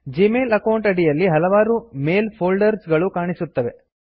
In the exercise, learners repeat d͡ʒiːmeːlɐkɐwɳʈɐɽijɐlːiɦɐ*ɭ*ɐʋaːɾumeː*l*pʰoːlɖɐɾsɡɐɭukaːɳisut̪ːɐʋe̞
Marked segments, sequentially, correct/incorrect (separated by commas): incorrect, correct